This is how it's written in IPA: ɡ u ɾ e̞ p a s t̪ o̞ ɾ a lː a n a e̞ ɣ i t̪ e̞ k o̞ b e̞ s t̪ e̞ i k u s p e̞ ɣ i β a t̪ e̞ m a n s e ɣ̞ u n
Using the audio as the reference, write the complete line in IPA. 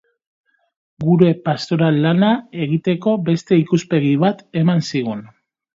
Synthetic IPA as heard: ɡ u ɾ e̞ p a s t̪ o̞ ɾ a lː a n a e̞ ɣ i t̪ e̞ k o̞ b e̞ s t̪ e̞ i k u s p e̞ ɣ i β a t̪ e̞ m a n s i ɣ̞ u n

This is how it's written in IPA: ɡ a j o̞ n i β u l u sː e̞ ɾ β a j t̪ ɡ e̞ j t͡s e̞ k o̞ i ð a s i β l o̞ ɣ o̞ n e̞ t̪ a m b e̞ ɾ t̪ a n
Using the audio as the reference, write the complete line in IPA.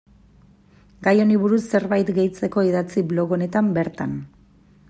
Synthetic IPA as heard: ɡ a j o̞ n i β u ɾ u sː e̞ ɾ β a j t̪ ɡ e̞ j t͡s e̞ k o̞ i ð a t͡s i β l o̞ ɣ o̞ n e̞ t̪ a m b e̞ ɾ t̪ a n

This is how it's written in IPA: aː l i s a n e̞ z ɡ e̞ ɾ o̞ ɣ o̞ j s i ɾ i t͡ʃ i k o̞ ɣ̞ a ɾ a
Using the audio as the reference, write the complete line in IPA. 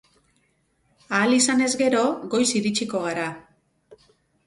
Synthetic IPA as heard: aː l i s a n e̞ z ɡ e̞ ɾ o̞ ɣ o̞ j s i ɾ i t͡ʃ i k o̞ ɣ̞ a ɾ a

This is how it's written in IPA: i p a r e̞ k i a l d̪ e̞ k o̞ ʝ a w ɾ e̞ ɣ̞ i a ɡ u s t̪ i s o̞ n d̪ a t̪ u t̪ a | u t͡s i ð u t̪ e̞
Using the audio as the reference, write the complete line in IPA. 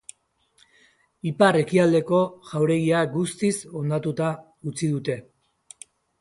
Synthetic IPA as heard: i p a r e̞ k i a l d̪ e̞ k o̞ ʝ a w ɾ e̞ ɣ̞ i a ɡ u s t̪ i s o̞ n d̪ a t̪ u t̪ a | u t͡s i ð u t̪ e̞

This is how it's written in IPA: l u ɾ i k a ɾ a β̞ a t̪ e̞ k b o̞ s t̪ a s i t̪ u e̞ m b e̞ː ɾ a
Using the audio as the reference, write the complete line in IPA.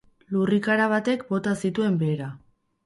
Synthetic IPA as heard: l u r i k a ɾ a β̞ a t̪ e̞ k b o̞ t̪ a s i t̪ u e̞ m b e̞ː ɾ a

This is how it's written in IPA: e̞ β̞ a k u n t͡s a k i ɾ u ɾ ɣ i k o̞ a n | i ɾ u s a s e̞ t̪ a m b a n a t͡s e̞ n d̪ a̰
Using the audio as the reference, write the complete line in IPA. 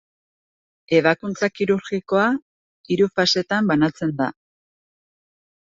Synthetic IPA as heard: e̞ β̞ a k u n t͡s a k i ɾ u ɾ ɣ i k o̞ a | i ɾ u f a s e̞ t̪ a m b a n a t͡s e̞ n d̪ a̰

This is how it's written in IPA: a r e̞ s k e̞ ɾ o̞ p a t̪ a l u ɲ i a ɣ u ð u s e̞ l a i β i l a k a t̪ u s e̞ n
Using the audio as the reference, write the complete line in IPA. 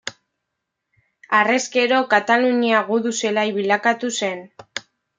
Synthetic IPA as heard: a r e̞ s k e̞ ɾ o̞ k a t̪ a l u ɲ i a ɣ u ð u s e̞ l a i β i l a k a t̪ u s e̞ n

